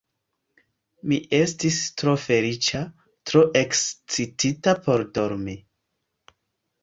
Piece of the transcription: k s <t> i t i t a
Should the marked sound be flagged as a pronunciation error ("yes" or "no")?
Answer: yes